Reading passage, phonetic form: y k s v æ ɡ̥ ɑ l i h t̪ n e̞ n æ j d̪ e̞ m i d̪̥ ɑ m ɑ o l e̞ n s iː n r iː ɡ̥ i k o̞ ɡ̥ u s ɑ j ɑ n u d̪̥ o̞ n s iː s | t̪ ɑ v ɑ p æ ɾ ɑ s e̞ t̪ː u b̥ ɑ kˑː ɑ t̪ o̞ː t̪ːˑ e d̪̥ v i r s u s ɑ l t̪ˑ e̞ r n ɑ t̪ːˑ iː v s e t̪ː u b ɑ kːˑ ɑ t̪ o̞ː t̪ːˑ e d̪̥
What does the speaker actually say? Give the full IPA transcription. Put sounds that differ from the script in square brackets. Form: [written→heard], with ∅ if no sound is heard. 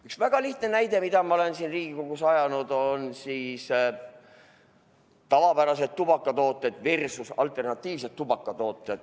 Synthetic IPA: y k s v æ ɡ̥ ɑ l i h t̪ n e̞ n æ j d̪ e̞ m i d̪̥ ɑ m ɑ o l e̞ n s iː n r iː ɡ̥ i k o̞ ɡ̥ u s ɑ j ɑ n u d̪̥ o̞ n s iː s | t̪ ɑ v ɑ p æ ɾ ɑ s e̞ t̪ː u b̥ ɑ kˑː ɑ t̪ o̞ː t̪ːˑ e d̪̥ v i r s u s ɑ l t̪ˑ e̞ r n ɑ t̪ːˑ iː v s e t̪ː u b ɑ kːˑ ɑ t̪ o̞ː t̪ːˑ e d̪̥